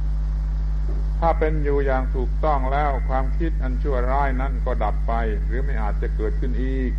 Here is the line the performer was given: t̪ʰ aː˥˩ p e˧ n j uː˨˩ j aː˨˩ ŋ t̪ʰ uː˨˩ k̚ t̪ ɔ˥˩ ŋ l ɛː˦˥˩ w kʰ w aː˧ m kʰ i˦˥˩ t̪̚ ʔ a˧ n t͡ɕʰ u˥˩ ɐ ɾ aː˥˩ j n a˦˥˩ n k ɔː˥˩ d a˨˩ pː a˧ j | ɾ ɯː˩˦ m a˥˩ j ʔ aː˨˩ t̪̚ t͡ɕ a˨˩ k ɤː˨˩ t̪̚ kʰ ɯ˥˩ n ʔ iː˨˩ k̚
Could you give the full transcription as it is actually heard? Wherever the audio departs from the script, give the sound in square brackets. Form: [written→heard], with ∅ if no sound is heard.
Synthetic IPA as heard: t̪ʰ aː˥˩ p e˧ n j uː˨˩ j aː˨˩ ŋ t̪ʰ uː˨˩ k̚ t̪ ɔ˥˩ ŋ l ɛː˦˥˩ w kʰ w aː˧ m kʰ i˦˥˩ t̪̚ ʔ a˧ n t͡ɕʰ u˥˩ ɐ ɾ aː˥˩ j n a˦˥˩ n k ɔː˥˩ d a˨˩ pː a˧ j | ɾ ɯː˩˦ m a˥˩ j ʔ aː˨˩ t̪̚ t͡ɕ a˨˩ k ɤː˨˩ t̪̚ kʰ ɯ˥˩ n ʔ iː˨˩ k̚